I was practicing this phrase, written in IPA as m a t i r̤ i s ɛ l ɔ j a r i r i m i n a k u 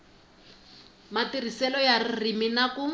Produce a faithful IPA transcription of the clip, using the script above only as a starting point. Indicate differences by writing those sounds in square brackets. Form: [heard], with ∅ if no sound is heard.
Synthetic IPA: m a t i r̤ i s ɛ l ɔ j a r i r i m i n a k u

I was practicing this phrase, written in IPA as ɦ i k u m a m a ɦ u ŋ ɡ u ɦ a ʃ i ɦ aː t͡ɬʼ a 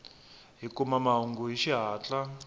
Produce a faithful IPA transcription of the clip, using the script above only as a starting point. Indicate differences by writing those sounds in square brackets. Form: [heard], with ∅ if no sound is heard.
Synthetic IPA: ɦ i k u m a m a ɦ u ŋ ɡ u ɦ [i] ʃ i ɦ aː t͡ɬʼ a

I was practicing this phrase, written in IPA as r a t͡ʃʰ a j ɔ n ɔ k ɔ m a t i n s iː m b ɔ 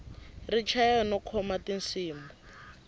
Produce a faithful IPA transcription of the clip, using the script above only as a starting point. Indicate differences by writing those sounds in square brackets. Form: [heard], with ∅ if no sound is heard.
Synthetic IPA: r [i] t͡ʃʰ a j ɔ n ɔ [kʰ] ɔ m a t i n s iː m b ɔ

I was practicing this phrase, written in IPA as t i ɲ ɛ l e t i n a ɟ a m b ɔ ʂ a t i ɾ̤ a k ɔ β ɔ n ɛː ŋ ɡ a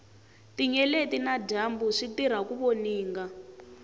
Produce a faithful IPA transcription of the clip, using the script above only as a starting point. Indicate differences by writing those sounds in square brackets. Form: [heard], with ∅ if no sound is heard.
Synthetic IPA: t i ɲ ɛ l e t i n a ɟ a m b [u] ʂ [i] t i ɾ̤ a k [u] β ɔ n [iː] ŋ ɡ a

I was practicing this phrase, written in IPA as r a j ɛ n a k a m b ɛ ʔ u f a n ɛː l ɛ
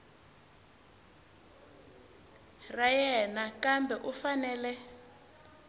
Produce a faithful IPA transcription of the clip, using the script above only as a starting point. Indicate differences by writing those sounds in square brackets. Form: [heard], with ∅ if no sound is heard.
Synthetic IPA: r a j ɛ n a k a m b ɛ ʔ u f a n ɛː l ɛ

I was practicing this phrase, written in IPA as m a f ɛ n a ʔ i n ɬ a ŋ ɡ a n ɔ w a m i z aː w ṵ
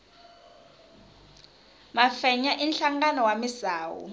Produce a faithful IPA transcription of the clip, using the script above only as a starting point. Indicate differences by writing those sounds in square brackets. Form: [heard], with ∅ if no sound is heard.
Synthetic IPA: m a f ɛ [ɲ] a ʔ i n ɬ a ŋ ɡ a n ɔ w a m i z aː w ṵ

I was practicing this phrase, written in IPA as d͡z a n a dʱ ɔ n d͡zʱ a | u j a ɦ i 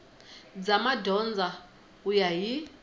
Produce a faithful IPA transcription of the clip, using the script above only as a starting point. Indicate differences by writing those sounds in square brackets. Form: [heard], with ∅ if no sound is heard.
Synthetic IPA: d͡z a [m] a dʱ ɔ n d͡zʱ a | u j a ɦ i

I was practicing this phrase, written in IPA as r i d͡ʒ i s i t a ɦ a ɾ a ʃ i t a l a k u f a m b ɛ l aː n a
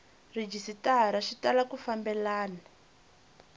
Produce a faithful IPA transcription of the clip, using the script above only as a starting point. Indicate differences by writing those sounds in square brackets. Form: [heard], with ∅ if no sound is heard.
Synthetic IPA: r i d͡ʒ i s i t a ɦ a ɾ a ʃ i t a l a k u f a m b ɛ l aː n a

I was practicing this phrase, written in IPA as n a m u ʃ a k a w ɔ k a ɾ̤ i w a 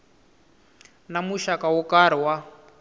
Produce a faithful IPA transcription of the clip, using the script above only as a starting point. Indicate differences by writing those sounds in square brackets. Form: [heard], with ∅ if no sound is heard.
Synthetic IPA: n a m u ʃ a k a w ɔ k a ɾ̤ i w a

